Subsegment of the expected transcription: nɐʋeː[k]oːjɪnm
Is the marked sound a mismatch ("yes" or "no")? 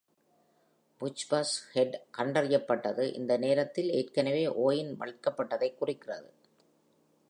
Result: yes